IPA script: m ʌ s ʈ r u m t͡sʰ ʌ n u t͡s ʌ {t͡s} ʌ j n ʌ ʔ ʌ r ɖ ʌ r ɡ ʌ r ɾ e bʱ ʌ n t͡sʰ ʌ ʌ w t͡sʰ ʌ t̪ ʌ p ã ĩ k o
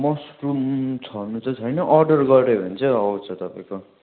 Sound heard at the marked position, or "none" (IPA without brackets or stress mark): t͡sʰ